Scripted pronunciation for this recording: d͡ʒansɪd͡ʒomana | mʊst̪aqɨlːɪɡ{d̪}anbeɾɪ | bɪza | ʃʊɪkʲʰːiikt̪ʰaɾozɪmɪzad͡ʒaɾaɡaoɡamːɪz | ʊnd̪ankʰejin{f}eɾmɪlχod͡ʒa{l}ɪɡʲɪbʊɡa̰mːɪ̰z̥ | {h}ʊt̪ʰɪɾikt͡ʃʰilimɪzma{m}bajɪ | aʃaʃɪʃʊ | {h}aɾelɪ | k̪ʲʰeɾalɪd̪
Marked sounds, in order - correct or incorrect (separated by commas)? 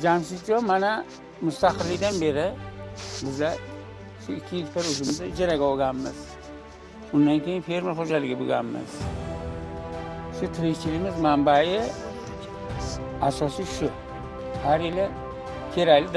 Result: correct, correct, correct, incorrect, correct, correct